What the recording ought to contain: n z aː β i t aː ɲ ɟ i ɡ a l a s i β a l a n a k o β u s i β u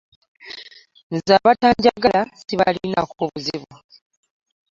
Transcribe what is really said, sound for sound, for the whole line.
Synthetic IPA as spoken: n z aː β a t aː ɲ ɟ a ɡ a l a s i β a l i n a k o β u z i β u